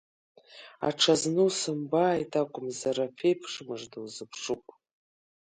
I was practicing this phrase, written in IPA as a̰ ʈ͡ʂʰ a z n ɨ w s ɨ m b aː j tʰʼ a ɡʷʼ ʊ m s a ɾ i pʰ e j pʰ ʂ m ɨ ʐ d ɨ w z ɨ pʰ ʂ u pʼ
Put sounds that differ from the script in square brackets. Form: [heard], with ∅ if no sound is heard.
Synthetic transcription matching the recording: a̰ ʈ͡ʂʰ a z n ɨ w s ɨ m b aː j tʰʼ a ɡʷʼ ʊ m [z] a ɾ [a] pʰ e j pʰ ʂ m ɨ ʐ d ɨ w z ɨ pʰ ʂ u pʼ